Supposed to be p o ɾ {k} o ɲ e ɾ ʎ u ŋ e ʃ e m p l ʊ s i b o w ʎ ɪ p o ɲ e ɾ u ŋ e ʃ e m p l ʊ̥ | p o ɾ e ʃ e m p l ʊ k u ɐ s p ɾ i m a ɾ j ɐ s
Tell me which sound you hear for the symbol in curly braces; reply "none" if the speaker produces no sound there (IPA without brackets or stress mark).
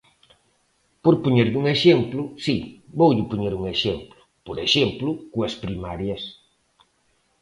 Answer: p